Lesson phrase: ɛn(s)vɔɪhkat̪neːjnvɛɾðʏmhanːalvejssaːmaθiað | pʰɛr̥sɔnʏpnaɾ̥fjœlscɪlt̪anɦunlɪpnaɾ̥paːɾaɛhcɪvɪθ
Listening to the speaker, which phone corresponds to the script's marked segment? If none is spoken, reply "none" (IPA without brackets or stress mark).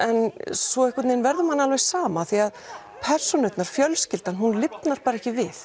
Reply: s